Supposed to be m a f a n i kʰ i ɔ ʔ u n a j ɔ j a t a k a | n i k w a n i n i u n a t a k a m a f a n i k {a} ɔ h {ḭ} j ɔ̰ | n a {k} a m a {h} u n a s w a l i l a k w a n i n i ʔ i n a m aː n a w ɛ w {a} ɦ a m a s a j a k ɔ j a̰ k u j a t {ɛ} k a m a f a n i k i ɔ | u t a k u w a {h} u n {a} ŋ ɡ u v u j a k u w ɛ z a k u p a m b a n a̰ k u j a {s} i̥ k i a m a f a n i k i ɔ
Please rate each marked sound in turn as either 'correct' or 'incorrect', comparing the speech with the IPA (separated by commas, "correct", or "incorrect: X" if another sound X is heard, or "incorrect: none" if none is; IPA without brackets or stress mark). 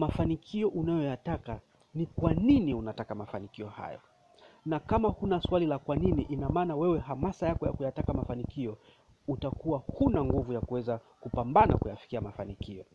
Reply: incorrect: i, incorrect: a̰, correct, correct, incorrect: ɛ, incorrect: a, correct, correct, incorrect: f